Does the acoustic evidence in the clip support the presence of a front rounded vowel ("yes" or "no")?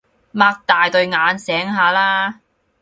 no